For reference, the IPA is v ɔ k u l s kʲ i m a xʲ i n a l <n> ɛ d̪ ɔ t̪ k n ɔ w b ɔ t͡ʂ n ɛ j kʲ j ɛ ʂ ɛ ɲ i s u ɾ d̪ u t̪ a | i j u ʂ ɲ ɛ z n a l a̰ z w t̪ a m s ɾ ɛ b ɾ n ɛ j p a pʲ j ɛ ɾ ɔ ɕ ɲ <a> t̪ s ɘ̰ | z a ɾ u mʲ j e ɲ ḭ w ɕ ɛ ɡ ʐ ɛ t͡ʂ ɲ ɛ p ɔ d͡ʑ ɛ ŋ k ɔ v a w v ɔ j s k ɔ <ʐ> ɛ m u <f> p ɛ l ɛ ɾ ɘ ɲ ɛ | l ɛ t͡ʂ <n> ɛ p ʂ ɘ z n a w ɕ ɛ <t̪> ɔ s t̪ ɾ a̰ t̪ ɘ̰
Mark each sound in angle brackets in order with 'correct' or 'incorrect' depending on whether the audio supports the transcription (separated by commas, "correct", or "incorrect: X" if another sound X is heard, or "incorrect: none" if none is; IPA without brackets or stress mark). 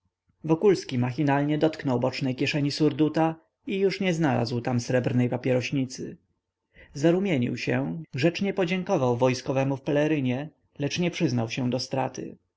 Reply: incorrect: ɲ, incorrect: i, incorrect: v, correct, incorrect: ɲ, incorrect: d̪